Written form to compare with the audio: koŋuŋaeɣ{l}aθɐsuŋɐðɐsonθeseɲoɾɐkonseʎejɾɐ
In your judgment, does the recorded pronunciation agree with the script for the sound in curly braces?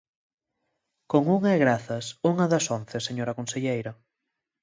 no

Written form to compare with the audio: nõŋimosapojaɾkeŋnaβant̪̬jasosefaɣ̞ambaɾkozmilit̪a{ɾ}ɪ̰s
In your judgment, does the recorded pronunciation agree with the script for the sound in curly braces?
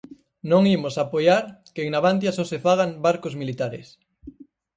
yes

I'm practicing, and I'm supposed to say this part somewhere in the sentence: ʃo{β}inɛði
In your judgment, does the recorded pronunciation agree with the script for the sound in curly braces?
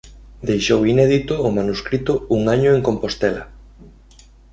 no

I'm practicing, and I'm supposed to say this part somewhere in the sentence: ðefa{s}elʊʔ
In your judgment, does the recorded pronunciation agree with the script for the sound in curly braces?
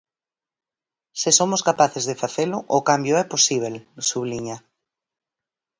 no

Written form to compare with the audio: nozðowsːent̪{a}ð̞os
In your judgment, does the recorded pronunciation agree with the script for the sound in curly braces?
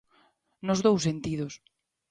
no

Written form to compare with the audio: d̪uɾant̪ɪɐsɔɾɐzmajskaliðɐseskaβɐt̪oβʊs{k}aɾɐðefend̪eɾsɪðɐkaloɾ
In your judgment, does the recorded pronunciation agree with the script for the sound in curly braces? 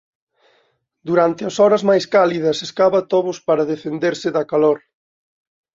no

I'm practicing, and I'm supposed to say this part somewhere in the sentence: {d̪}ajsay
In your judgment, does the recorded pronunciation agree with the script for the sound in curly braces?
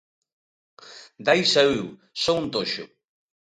yes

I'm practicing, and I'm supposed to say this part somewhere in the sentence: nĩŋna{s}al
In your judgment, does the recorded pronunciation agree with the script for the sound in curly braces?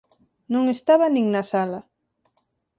yes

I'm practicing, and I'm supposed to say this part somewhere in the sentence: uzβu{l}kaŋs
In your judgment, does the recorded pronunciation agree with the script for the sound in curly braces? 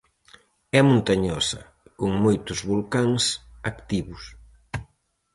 yes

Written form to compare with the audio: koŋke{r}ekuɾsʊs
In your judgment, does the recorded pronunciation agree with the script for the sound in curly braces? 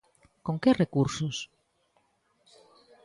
yes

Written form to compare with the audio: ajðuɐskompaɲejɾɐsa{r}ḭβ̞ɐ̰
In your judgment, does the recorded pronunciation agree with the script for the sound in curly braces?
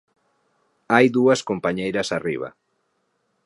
yes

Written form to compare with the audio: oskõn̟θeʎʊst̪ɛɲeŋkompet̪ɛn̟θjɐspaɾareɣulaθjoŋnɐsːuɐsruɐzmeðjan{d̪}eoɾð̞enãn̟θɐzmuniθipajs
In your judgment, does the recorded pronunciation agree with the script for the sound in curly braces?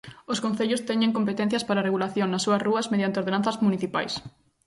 no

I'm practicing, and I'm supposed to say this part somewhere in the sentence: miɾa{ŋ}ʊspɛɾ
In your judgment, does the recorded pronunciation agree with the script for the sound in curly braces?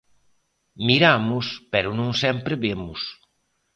no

